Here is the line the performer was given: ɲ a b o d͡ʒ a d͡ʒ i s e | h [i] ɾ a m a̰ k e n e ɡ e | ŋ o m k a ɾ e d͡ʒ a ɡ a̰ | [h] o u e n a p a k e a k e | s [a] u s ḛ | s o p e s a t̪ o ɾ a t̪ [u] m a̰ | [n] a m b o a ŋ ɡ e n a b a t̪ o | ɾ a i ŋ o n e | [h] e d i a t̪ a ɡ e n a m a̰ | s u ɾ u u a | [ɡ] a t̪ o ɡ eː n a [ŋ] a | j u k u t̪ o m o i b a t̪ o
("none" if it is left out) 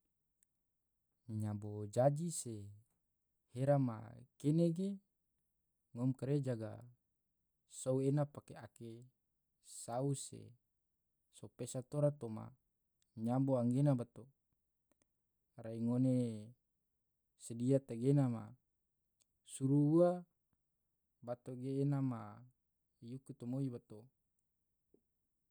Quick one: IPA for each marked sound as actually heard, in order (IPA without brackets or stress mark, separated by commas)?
e, s, a, o, ɲ, s, b, m